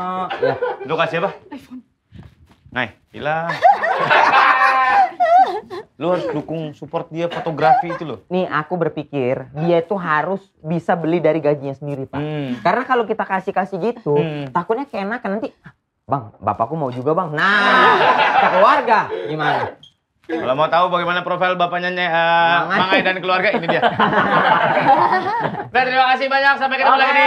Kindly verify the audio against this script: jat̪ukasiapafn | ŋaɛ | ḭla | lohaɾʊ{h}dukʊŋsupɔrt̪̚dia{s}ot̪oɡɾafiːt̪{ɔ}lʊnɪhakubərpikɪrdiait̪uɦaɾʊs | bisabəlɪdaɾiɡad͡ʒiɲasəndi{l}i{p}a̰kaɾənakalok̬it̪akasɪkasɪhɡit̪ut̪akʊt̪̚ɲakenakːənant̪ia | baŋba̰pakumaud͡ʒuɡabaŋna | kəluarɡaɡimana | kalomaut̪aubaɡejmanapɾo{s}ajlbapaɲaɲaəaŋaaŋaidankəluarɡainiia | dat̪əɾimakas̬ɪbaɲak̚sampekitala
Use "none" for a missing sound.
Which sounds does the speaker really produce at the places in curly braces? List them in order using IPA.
s, f, u, ɾ, p, f

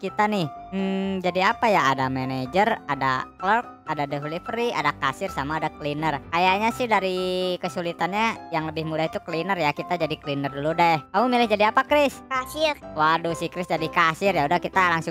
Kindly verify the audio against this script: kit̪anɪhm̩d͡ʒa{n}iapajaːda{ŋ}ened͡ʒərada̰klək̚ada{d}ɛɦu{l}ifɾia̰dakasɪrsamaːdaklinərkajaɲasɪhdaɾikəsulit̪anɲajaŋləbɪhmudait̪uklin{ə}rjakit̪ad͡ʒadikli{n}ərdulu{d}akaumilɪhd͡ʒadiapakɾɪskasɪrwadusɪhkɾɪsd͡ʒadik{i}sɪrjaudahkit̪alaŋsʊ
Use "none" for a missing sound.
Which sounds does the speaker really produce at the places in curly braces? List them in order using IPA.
d, m, d, l, ə, n, d, a

